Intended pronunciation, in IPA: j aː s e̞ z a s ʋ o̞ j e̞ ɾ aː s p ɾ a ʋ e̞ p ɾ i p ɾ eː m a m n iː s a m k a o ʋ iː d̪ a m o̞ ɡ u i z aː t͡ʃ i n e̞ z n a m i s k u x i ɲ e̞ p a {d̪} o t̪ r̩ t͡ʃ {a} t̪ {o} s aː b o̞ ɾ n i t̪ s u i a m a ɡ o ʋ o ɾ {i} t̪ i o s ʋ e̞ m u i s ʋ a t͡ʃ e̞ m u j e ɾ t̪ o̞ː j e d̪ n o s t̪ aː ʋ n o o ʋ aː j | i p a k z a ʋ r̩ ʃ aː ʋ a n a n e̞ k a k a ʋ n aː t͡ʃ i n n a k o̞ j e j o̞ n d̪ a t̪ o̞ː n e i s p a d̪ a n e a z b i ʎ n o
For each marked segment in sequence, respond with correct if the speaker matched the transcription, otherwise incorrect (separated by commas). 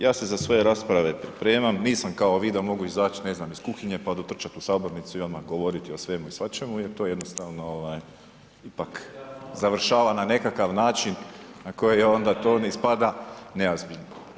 correct, correct, incorrect, correct